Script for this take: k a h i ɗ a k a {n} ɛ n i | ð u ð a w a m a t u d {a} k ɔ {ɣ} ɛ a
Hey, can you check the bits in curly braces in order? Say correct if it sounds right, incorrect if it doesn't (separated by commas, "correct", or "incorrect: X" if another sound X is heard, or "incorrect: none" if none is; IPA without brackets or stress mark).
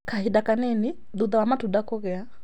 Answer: correct, correct, correct